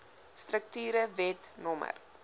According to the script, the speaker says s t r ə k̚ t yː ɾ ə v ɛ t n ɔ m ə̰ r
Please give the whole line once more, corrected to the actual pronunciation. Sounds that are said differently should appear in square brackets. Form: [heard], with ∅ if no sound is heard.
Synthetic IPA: s t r ə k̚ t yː ɾ ə v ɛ t n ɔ m ə̰ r